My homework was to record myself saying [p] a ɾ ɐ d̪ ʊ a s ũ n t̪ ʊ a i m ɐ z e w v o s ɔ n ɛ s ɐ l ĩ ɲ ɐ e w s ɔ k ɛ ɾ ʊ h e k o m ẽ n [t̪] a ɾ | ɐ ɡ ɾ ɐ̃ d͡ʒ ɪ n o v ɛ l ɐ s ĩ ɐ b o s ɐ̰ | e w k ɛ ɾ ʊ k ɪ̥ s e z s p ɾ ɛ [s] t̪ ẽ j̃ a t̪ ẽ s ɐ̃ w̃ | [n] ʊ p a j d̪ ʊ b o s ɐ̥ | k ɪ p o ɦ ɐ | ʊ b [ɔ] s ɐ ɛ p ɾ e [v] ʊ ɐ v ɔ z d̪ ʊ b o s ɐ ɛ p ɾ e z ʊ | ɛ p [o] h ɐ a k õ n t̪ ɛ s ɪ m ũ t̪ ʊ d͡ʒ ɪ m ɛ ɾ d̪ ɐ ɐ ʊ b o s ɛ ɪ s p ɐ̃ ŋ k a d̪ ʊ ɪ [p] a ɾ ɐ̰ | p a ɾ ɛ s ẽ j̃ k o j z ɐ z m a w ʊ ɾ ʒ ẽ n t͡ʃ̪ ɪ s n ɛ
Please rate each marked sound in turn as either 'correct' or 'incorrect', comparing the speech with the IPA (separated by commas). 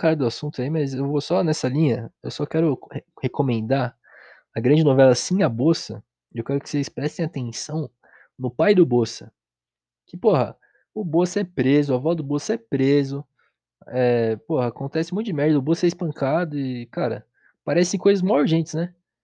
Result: incorrect, incorrect, correct, correct, incorrect, incorrect, correct, incorrect